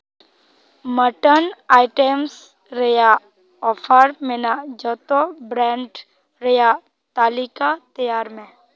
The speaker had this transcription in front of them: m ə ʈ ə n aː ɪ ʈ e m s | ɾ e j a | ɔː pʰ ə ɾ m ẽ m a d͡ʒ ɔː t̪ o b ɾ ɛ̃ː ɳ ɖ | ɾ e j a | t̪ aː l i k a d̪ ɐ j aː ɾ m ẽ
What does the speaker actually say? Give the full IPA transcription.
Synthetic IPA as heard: m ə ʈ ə n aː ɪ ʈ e m s | ɾ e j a | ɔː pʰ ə ɾ m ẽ n a d͡ʒ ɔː t̪ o b ɾ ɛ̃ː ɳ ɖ | ɾ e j a | t̪ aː l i k a t̪ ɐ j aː ɾ m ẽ